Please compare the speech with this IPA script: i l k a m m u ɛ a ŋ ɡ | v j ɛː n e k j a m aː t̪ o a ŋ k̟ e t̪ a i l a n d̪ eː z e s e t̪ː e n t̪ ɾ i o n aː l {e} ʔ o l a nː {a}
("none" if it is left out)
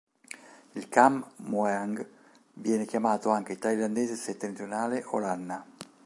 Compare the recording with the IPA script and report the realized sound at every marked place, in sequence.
e, a

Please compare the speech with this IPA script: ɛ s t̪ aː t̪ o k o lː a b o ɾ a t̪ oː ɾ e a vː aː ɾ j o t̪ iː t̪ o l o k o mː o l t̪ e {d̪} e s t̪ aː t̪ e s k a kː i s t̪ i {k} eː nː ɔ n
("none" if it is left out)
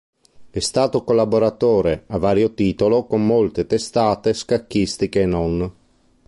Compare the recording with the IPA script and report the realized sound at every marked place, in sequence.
t̪, k

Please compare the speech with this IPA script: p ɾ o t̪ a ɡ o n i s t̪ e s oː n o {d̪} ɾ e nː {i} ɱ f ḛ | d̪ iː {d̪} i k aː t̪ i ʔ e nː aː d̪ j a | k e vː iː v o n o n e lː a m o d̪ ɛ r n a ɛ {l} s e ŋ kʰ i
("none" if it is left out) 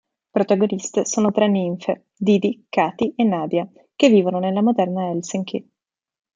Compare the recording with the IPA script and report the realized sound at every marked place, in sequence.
t̪, i, d̪, l

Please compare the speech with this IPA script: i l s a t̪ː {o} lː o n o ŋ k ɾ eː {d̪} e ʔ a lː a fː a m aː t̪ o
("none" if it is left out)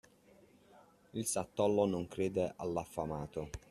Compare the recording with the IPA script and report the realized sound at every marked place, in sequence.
ɔ, d̪

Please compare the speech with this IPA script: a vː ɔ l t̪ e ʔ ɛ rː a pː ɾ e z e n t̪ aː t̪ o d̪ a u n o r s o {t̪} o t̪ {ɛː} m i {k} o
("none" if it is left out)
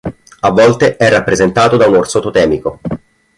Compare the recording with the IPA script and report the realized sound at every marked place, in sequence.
t̪, ɛː, k

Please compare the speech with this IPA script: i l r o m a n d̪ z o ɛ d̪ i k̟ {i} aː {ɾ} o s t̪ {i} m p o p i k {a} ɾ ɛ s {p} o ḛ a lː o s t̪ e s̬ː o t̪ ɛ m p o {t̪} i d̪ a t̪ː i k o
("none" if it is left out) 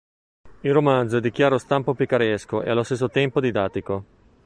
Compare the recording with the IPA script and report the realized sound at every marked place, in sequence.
j, ɾ, a, a, k, d̪

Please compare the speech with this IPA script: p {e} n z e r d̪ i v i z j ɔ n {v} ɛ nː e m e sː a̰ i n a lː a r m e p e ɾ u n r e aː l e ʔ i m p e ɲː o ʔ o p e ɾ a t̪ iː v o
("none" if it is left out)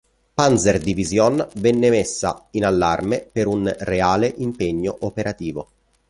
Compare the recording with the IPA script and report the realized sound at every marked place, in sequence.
a, v

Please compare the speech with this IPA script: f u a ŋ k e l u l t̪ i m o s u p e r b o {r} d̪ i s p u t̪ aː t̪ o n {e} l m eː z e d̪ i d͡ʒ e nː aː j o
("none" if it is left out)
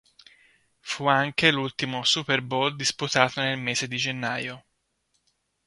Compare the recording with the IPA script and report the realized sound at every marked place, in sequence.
l, e

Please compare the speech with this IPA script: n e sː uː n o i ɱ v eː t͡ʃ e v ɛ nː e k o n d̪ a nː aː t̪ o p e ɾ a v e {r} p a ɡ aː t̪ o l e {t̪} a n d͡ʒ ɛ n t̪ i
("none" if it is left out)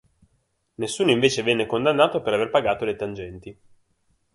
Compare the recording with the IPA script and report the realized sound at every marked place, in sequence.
r, t̪

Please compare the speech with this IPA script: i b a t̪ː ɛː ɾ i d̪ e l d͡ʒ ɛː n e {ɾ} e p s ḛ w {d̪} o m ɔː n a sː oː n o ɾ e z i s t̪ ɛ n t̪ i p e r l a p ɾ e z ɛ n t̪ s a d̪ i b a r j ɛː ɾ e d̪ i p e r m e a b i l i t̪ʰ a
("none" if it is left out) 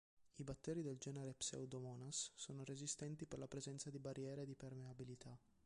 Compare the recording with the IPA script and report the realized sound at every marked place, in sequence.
ɾ, d̪

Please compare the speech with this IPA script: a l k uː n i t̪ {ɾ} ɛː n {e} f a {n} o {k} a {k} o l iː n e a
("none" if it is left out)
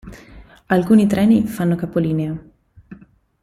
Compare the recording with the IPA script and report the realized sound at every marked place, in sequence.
ɾ, i, nː, k, p

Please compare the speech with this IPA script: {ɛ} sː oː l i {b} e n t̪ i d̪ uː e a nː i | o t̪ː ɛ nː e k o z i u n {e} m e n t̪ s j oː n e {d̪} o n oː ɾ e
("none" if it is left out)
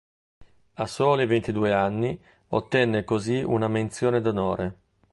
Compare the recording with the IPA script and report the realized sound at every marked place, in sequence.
a, v, a, d̪

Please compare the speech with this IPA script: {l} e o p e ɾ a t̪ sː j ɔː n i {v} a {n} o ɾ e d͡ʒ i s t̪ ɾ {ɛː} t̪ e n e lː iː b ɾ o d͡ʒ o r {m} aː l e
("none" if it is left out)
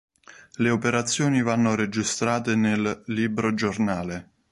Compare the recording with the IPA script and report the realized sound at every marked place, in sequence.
l, v, nː, aː, n

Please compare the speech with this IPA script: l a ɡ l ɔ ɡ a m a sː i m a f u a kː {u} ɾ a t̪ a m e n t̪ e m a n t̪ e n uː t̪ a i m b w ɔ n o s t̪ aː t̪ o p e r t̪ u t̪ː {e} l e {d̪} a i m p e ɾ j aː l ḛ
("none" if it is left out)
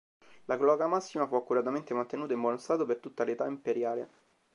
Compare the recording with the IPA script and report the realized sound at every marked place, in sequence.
u, a, t̪

